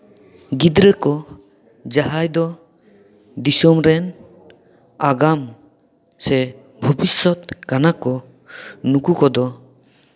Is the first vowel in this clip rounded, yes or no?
no